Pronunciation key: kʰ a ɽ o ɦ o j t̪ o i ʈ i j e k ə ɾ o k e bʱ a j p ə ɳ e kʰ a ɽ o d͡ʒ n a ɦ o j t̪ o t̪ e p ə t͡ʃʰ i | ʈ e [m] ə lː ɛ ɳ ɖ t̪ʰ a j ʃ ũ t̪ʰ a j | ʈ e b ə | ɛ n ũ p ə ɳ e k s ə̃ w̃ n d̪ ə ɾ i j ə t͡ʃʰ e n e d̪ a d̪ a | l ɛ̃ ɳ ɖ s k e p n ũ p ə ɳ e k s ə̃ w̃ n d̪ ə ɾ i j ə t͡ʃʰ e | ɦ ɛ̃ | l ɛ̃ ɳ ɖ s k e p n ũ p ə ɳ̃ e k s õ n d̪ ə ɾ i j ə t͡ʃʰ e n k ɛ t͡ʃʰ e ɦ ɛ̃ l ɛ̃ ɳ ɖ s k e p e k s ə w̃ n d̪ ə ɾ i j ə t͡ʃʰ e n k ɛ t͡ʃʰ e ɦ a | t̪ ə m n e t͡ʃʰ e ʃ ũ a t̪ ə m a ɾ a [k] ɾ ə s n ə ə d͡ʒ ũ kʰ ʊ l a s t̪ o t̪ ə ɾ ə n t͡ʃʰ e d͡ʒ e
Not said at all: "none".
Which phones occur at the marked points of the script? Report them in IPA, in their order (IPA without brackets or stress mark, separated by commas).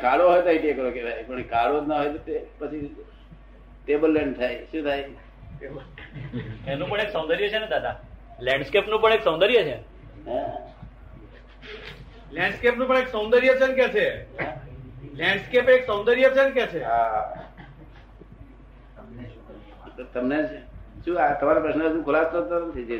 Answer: b, p